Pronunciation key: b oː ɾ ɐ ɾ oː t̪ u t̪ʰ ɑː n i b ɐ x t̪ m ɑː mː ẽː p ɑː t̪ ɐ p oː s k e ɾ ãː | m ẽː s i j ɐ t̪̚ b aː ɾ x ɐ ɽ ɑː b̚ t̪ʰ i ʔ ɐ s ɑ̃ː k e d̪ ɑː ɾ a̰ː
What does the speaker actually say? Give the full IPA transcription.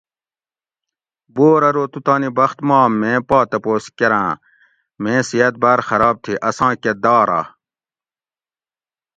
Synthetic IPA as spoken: b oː ɾ ɐ ɾ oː t̪ u t̪ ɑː n i b ɐ x t̪ m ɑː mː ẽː p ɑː t̪ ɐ p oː s k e ɾ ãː | m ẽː s i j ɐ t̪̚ b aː ɾ x ɐ ɾ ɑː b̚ t̪ʰ i ʔ ɐ s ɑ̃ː k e d̪ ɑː ɾ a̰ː